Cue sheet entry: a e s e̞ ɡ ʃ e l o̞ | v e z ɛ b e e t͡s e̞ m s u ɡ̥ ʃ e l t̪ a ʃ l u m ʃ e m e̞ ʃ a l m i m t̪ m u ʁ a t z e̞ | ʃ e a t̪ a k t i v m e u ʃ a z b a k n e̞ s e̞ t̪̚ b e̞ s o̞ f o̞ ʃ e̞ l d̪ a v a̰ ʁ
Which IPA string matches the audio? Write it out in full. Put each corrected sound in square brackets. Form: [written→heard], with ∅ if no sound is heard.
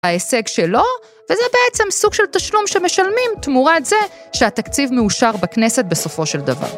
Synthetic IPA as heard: a e s e̞ ɡ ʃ e l o̞ | v e z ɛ b e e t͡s e̞ m s u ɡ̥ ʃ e l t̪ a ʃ l u m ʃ e m e̞ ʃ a l m i m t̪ m u ʁ a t z e̞ | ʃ e a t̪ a k [t→t͡s] i v m e u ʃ a [z→ʁ] b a k n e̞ s e̞ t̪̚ b e̞ s o̞ f o̞ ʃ e̞ l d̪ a v a̰ ʁ